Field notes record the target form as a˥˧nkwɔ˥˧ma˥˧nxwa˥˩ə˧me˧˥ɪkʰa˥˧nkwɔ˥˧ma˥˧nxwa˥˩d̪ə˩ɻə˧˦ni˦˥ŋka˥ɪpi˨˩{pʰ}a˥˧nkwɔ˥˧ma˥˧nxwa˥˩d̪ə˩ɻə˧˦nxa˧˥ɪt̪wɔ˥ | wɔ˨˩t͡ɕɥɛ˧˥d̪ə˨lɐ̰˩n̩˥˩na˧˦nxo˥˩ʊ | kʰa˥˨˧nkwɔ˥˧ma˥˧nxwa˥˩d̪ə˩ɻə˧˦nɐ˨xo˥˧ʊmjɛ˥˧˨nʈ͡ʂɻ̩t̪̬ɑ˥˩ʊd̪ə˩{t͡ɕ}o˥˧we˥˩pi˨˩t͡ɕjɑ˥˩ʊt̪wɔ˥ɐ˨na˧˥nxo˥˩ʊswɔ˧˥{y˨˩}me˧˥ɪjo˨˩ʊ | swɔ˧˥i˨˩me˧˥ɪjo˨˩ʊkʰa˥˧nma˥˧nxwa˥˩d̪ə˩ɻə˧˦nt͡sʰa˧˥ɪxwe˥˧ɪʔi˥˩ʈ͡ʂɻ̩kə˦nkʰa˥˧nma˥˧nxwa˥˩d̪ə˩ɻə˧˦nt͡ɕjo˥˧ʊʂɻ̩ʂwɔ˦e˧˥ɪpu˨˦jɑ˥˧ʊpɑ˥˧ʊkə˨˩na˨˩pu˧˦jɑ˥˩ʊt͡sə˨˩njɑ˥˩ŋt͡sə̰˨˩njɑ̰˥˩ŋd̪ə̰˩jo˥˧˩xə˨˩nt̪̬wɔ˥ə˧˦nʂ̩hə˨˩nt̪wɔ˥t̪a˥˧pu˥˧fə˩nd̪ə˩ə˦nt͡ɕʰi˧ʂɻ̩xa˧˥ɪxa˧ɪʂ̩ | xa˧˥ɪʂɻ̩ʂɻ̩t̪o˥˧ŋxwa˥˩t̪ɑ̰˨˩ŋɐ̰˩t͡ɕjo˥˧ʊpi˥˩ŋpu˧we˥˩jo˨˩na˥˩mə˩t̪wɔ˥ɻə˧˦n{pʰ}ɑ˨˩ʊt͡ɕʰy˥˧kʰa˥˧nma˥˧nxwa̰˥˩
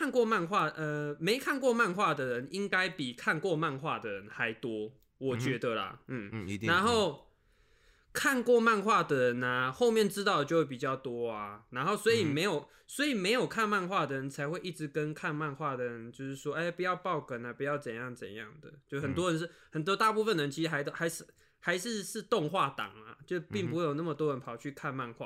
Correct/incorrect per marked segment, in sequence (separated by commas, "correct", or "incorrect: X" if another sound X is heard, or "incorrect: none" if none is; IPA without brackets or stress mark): incorrect: kʰ, correct, incorrect: i˨˩, correct